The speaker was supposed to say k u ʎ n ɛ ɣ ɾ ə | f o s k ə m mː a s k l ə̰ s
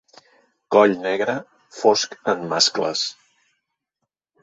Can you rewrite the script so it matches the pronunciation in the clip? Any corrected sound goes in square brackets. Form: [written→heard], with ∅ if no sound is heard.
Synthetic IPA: k [u→ɔ] ʎ n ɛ ɣ ɾ ə | f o s k ə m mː a s k l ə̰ s

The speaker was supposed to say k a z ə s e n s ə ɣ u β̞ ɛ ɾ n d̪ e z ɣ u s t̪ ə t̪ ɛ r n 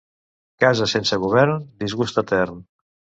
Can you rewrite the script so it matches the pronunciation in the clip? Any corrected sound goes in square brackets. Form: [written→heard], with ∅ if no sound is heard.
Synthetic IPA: k a z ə s e n s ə ɣ u β̞ ɛ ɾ n d̪ [e→i] z ɣ u s t̪ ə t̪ ɛ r n

